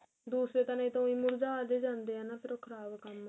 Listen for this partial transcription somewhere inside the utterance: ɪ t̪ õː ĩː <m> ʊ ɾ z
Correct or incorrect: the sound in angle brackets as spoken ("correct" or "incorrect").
correct